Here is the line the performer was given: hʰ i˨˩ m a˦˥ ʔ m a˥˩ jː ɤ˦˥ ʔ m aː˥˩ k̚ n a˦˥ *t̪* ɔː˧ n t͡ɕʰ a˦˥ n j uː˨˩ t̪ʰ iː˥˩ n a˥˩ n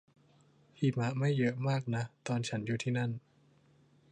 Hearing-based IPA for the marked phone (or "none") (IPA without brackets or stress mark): t̪